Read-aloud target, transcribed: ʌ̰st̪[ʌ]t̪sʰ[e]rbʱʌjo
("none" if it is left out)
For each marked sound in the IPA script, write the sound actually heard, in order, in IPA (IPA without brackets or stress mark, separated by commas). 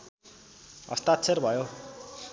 a, e